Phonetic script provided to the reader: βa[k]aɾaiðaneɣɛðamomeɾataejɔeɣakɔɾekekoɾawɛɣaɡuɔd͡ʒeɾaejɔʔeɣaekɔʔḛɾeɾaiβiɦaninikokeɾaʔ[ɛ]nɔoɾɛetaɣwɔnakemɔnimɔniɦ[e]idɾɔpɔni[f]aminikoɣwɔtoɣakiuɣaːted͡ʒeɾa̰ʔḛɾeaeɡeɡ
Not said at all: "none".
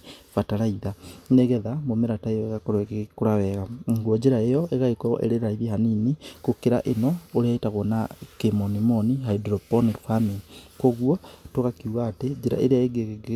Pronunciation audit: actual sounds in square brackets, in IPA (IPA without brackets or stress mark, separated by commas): t, e, a, f